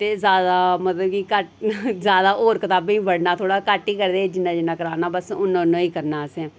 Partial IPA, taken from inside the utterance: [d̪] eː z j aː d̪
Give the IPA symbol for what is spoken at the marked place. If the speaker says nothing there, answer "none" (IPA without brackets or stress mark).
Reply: t̪